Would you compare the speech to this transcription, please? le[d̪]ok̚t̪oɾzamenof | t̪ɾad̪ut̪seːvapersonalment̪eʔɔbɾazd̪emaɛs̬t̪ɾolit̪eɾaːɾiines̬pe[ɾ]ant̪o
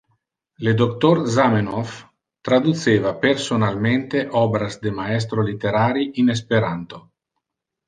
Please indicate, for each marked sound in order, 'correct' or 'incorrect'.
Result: correct, correct

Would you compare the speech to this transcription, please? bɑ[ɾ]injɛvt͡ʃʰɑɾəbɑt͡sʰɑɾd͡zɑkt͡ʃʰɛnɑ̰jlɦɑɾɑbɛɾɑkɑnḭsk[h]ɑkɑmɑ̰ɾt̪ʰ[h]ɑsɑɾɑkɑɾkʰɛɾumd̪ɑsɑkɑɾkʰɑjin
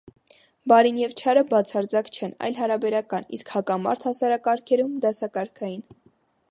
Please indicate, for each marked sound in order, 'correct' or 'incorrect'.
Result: correct, correct, correct

